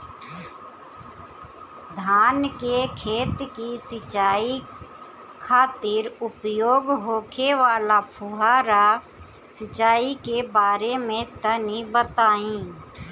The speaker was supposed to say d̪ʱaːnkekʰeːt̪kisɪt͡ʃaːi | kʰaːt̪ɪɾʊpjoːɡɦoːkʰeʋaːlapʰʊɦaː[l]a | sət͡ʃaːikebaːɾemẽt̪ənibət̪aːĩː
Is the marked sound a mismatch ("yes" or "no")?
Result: yes